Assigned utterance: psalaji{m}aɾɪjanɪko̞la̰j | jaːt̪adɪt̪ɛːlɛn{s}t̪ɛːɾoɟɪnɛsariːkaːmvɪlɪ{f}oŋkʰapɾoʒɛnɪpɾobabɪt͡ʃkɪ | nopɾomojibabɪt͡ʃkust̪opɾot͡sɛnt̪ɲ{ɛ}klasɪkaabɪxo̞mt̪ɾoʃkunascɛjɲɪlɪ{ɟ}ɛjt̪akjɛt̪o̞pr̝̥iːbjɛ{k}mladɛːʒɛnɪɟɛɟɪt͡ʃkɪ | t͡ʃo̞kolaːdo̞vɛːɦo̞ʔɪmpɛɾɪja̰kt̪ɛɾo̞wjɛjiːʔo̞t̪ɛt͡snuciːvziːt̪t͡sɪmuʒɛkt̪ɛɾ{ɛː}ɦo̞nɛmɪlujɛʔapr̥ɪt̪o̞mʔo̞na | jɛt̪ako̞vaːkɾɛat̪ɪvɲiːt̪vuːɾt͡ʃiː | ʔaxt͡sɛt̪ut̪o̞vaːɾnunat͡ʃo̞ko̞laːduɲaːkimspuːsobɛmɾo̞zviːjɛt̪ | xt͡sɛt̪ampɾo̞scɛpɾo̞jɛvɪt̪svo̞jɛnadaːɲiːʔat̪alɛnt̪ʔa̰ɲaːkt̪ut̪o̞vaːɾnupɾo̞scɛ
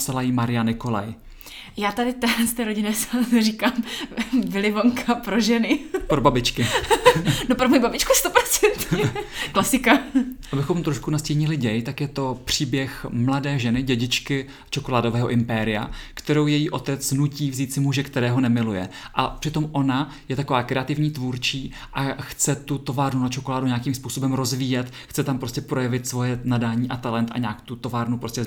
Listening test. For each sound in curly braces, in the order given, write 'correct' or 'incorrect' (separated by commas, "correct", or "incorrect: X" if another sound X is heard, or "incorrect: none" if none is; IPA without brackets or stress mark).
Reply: correct, correct, incorrect: v, correct, correct, incorrect: x, correct